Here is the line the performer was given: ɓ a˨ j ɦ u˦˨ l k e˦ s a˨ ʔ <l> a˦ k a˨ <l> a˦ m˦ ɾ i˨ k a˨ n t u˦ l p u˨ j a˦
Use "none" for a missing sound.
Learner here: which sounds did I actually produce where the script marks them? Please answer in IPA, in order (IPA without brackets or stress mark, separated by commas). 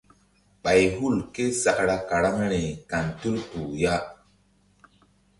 ɾ, ɾ